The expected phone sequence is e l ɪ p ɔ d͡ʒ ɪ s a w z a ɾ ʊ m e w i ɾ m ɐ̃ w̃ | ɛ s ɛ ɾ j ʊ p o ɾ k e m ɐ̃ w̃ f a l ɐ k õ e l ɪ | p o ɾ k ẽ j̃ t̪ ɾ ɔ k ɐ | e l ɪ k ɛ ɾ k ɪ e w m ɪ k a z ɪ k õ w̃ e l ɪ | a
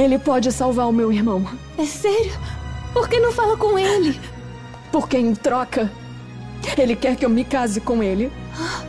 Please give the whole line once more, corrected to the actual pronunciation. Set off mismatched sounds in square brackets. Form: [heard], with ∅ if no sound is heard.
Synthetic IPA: e l ɪ p ɔ d͡ʒ ɪ s a w [v] a ɾ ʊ m e w i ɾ m ɐ̃ w̃ | ɛ s ɛ ɾ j ʊ p o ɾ k e [n] ɐ̃ w̃ f a l ɐ k õ e l ɪ | p o ɾ k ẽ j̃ t̪ ɾ ɔ k ɐ | e l ɪ k ɛ ɾ k ɪ e w m ɪ k a z ɪ k õ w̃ e l ɪ | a